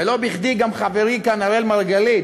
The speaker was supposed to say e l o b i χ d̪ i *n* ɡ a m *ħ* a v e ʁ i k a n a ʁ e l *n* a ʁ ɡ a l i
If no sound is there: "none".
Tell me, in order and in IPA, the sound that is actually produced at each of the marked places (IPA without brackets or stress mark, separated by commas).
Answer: none, χ, m